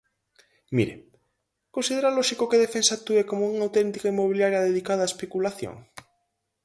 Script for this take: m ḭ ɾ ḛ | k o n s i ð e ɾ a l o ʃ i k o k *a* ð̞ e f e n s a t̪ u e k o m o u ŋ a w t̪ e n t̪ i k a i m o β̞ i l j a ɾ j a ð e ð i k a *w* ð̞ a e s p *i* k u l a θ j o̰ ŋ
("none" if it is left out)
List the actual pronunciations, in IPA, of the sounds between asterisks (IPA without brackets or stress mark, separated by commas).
e, none, e